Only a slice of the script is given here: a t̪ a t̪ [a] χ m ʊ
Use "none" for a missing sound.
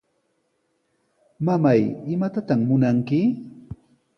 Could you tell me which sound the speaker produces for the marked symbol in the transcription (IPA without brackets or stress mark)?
a